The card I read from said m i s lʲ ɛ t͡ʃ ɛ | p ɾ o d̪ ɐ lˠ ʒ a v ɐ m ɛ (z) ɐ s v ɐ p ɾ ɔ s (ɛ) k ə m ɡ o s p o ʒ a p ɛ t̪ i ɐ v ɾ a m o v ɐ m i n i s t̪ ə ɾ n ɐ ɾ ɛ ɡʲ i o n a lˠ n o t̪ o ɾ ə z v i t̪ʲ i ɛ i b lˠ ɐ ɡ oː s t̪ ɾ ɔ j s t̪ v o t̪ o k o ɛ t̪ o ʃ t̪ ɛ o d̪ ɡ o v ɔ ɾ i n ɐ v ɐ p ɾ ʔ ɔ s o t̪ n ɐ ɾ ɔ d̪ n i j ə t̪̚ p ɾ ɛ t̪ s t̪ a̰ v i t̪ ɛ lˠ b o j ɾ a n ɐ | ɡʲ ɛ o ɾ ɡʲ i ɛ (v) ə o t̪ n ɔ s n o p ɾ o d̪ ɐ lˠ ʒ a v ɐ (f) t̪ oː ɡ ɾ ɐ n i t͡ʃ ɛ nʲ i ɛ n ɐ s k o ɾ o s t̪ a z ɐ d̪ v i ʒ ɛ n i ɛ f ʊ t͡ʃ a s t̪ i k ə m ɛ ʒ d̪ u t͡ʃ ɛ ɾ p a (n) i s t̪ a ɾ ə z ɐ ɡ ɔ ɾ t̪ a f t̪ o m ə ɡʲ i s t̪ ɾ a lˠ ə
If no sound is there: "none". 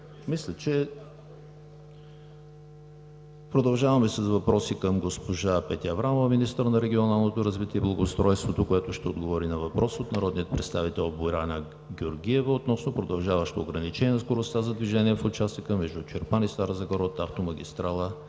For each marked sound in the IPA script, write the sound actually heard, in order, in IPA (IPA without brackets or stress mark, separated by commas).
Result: s, i, v, ʃ, n